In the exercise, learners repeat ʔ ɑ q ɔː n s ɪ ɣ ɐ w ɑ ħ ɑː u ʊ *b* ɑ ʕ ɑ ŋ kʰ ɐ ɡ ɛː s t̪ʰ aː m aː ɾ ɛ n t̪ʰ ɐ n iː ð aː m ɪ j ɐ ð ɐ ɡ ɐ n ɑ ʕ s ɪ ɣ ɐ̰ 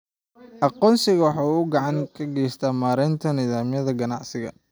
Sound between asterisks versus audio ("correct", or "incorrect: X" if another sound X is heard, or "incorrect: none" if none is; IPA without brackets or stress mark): incorrect: ɡ